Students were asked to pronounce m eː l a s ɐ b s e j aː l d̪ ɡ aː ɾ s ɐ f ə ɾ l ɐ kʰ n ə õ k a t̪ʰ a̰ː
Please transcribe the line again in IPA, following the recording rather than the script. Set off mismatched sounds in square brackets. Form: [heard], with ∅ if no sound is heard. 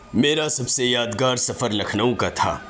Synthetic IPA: m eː [ɾ] a s ɐ b s e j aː [∅] d̪ ɡ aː ɾ s ɐ f ə ɾ l ɐ kʰ n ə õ k a t̪ʰ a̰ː